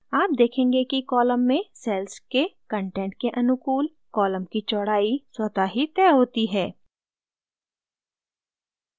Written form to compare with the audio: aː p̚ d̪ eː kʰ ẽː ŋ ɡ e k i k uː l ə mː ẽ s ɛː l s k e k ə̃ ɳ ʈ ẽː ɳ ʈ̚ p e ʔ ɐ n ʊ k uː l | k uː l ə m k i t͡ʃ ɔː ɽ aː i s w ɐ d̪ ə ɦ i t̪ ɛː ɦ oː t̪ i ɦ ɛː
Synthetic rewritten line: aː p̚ d̪ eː kʰ ẽː ŋ ɡ e k i k ɔː l ə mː ẽ s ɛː l s k e k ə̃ ɳ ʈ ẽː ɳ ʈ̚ k e ʔ ɐ n ʊ k uː l | k ɔː l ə m k i t͡ʃ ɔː ɽ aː i s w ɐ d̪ a ɦ i t̪ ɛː ɦ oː t̪ i ɦ ɛː